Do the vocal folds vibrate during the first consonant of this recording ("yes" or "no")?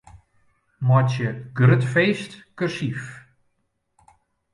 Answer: yes